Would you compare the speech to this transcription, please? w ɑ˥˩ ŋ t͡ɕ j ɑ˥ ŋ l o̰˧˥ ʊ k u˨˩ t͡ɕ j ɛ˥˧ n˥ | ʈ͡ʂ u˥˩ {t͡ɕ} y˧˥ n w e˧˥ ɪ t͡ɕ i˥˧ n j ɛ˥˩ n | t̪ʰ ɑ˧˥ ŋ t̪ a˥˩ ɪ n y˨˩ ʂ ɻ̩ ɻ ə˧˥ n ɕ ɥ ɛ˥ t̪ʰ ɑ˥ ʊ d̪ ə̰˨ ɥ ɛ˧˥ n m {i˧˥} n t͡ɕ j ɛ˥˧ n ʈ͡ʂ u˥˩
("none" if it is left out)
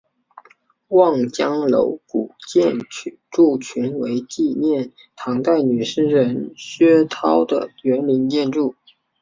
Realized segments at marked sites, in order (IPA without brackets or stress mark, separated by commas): t͡ɕʰ, i˧˥